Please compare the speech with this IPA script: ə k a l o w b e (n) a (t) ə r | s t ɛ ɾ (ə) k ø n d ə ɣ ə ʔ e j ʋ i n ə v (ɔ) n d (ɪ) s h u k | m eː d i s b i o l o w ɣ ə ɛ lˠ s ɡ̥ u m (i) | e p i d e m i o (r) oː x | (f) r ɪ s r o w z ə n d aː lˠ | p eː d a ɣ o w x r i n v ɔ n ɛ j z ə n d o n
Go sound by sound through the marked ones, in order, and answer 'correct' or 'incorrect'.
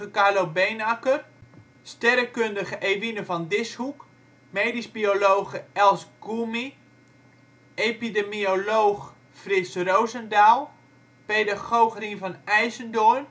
correct, incorrect, correct, correct, correct, correct, incorrect, correct

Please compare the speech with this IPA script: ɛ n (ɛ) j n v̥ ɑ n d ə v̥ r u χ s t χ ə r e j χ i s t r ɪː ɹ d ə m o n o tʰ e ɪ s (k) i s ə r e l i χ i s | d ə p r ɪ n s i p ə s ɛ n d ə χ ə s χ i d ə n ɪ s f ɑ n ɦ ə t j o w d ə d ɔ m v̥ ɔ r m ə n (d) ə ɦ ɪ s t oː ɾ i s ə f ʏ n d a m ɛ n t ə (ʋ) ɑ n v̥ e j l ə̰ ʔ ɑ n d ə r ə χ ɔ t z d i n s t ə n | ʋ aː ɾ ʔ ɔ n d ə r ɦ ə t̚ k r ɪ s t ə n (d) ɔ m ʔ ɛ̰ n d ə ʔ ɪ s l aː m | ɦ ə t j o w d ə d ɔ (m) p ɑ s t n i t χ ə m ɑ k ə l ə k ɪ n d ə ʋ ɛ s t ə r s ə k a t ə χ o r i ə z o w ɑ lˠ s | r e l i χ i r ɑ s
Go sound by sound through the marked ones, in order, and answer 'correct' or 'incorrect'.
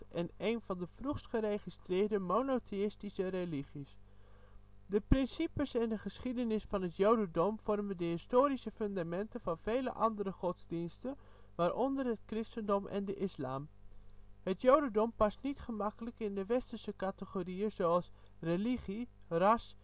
incorrect, incorrect, correct, incorrect, correct, correct

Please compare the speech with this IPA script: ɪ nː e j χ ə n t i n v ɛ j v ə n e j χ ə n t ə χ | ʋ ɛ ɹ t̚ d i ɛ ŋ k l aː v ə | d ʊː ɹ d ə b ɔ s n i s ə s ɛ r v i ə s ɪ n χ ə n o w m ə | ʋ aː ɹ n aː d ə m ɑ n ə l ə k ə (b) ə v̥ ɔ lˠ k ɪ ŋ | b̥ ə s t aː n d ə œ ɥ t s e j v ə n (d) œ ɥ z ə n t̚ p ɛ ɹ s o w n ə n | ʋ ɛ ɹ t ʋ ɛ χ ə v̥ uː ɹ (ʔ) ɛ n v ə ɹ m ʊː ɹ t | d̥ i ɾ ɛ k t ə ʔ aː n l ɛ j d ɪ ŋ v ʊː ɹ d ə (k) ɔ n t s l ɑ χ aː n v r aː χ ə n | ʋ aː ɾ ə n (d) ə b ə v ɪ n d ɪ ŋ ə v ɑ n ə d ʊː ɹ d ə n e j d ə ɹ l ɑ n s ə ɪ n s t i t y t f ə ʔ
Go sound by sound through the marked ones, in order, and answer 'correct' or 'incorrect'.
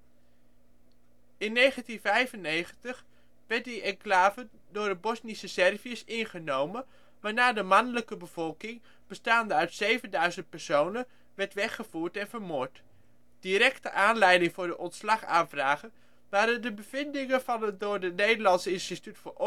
correct, correct, incorrect, incorrect, correct

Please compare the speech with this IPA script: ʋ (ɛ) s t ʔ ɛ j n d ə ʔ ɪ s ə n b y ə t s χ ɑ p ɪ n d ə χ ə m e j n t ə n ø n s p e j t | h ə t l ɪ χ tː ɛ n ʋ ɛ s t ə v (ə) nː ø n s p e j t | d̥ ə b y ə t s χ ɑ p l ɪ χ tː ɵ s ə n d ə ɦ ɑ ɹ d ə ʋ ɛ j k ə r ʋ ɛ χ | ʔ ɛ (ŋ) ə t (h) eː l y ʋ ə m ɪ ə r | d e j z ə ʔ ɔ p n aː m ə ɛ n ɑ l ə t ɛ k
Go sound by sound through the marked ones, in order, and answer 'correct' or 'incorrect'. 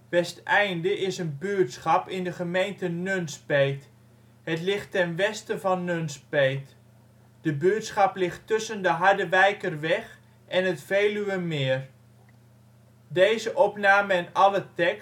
correct, incorrect, incorrect, incorrect

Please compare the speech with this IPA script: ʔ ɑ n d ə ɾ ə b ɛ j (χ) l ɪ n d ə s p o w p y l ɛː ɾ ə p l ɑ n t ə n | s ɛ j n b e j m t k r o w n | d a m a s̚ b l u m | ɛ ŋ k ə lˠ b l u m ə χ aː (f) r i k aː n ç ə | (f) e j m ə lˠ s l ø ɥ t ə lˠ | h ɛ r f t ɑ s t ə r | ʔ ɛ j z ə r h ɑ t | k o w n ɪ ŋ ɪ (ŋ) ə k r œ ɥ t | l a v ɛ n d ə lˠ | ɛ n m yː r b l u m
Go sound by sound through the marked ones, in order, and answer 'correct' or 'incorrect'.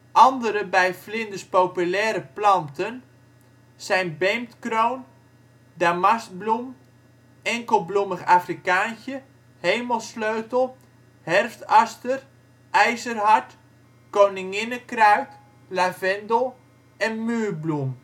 incorrect, correct, incorrect, incorrect

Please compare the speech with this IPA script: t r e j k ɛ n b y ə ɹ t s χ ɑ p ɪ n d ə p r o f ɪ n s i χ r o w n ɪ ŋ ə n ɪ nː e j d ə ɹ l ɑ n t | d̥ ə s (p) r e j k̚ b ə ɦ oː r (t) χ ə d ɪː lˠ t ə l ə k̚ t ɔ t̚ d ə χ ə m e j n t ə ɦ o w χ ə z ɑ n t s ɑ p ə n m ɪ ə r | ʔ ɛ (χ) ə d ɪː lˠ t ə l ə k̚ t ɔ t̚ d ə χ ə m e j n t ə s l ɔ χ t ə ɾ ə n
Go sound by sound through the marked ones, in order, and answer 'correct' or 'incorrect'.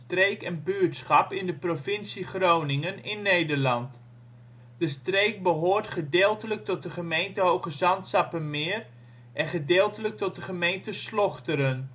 incorrect, correct, correct

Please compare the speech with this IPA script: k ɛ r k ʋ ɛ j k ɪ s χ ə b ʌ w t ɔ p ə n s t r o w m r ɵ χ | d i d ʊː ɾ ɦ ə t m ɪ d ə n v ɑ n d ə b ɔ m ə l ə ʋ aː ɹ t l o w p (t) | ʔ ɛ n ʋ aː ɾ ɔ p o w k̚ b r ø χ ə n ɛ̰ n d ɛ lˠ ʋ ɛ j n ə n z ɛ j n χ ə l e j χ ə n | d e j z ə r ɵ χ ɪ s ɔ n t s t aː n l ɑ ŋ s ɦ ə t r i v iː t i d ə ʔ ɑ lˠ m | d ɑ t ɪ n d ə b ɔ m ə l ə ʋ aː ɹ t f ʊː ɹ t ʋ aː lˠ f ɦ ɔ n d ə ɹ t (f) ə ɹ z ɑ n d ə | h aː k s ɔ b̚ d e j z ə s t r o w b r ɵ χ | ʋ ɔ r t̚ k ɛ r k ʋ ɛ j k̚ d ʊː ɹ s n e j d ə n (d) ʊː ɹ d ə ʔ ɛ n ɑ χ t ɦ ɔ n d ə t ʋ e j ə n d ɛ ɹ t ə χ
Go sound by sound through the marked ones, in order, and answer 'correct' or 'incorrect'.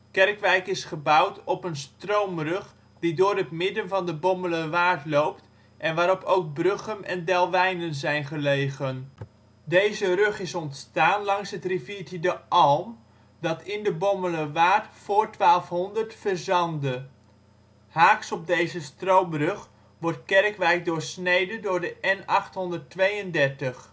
correct, correct, correct

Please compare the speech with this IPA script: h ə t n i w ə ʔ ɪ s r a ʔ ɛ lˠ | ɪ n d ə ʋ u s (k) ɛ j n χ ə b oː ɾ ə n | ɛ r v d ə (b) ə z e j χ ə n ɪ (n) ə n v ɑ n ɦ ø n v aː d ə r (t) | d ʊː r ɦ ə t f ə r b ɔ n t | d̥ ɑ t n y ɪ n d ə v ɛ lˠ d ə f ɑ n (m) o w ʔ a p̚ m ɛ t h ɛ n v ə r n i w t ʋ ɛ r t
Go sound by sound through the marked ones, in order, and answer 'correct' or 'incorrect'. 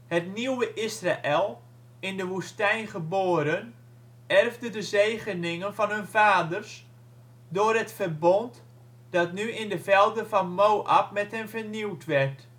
incorrect, incorrect, incorrect, incorrect, correct

